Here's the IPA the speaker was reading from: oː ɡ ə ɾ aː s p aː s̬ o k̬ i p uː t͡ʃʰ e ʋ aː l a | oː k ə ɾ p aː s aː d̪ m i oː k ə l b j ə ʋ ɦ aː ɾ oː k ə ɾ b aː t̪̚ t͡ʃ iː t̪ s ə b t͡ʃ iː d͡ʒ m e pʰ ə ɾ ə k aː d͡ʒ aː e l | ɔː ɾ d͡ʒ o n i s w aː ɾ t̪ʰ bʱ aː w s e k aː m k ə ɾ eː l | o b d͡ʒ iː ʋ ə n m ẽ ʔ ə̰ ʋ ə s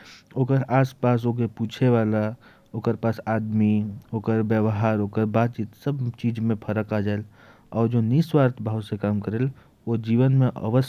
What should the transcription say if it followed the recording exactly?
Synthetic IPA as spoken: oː k ə ɾ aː s p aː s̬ o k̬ e p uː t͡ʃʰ e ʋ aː l a | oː k ə ɾ p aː s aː d̪ m i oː k ə ɾ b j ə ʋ ɦ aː ɾ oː k ə ɾ b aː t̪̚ t͡ʃ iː t̪ s ə b t͡ʃ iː d͡ʒ m ẽ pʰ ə ɾ ə k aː d͡ʒ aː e l | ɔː ɾ d͡ʒ o n i s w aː ɾ t̪ʰ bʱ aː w s e k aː m k ə ɾ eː l | o d͡ʒ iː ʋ ə n m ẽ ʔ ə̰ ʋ ə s